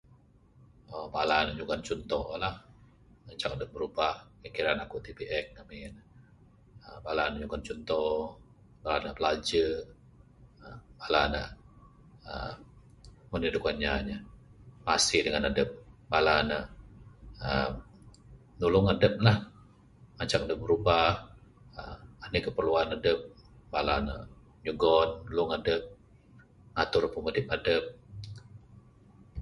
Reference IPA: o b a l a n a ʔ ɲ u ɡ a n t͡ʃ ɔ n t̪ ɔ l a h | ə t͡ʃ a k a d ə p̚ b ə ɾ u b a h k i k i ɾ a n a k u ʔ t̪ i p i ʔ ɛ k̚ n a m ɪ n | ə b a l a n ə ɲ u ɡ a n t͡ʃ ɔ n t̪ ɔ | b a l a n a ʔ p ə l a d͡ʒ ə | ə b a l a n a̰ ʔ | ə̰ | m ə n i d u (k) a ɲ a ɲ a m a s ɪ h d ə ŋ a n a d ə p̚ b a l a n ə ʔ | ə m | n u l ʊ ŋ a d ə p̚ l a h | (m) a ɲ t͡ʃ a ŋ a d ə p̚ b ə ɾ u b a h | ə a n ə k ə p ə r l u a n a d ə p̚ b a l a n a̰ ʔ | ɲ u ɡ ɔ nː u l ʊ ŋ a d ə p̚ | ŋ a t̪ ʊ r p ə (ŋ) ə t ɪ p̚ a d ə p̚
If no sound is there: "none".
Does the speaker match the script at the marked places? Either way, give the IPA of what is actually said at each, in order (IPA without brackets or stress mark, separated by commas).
k, m, m